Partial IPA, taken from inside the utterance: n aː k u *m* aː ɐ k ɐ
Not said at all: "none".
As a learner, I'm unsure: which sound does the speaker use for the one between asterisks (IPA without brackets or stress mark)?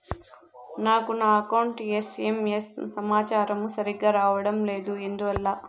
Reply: n